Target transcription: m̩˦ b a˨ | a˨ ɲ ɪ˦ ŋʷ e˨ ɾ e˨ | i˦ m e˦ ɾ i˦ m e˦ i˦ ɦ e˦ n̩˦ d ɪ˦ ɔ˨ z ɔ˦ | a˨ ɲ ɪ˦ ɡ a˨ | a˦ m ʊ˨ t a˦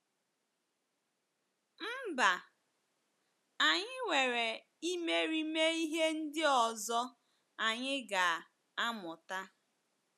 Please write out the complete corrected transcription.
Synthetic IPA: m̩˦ b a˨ | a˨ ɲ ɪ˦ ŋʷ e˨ ɾ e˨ | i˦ m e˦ ɾ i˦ m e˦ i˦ ɦ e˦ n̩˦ d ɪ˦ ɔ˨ z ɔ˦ | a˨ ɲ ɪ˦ ɡ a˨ | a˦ m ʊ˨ t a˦

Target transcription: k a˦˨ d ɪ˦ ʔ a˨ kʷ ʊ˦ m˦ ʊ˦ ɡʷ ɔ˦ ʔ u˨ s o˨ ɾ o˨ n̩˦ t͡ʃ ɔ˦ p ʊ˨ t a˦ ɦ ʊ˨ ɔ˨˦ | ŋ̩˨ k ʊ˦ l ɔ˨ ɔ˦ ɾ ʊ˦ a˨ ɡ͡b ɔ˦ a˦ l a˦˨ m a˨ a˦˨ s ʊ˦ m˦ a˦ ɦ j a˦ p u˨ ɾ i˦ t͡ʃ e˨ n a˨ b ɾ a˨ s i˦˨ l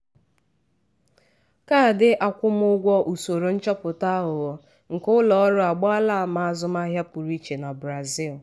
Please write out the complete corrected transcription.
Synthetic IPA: k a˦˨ d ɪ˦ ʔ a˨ kʷ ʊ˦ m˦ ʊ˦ ɡʷ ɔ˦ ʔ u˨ s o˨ ɾ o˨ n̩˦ t͡ʃ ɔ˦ p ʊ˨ t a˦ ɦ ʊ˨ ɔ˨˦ | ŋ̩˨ k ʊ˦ l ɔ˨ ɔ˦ ɾ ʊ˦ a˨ ɡ͡b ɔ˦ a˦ l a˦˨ m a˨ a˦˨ z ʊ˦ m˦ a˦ ɦ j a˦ p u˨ ɾ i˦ t͡ʃ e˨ n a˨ b ɾ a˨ z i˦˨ l

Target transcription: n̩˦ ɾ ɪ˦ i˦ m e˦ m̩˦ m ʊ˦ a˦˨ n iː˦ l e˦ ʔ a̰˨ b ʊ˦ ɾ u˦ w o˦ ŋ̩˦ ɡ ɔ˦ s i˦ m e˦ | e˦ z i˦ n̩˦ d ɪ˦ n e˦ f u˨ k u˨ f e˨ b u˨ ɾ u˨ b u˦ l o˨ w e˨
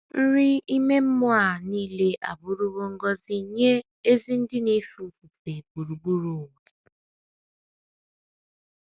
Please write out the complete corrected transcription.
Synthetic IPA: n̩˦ ɾ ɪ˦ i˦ m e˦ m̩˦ m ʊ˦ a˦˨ n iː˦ l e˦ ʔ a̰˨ b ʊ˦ ɾ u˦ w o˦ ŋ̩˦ ɡ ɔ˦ z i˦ ɲ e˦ | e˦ z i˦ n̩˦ d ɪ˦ n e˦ f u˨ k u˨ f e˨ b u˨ ɾ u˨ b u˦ ɾ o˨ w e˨

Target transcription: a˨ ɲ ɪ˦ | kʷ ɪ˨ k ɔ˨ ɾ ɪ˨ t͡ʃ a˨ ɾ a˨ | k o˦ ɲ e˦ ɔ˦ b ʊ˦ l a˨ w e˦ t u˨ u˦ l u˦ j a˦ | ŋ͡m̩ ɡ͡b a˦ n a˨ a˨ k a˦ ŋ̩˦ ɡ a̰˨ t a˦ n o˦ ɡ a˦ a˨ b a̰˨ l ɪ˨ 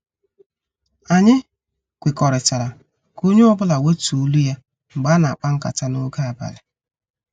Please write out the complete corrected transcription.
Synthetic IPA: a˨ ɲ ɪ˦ | kʷ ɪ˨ k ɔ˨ ɾ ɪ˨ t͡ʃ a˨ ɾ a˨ | k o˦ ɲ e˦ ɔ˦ b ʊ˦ l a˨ w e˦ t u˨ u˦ l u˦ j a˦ | ŋ͡m̩ ɡ͡b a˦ n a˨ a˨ k͡p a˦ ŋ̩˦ k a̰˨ t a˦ n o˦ ɡ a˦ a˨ b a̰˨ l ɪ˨

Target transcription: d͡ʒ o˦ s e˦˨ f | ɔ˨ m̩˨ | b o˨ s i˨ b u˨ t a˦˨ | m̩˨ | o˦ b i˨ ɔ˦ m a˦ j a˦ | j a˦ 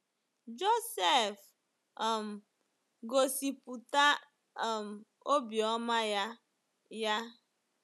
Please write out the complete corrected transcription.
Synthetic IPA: d͡ʒ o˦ s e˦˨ f | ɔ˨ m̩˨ | ɡ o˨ s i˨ p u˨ t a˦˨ | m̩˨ | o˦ b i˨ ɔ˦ m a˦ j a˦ | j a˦

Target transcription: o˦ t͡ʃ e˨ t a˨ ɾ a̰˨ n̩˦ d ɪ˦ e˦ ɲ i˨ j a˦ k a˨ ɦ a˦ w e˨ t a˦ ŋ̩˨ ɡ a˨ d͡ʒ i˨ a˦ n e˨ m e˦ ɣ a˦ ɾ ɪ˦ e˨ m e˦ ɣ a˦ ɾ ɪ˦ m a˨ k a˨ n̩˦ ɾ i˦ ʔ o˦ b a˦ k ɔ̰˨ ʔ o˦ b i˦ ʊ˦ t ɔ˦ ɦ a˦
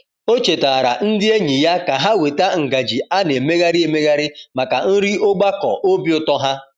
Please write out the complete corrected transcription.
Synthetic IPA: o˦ t͡ʃ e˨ t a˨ ɾ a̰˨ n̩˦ d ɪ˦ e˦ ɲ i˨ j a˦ k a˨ ɦ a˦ w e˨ t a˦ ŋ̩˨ ɡ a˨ d͡ʒ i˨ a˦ n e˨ m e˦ ɣ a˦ ɾ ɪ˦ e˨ m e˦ ɣ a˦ ɾ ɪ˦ m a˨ k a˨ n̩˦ ɾ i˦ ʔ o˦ ɡ͡b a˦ k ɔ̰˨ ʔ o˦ b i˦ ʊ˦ t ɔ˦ ɦ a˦

